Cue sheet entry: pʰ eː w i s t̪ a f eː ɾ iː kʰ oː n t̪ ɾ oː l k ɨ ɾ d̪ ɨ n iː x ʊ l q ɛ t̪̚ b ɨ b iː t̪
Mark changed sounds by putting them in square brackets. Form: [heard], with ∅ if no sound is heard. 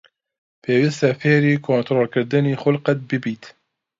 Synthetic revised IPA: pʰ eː w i s t̪ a f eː ɾ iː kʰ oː n t̪ ɾ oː l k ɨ ɾ d̪ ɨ n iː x ʊ l q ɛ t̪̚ b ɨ b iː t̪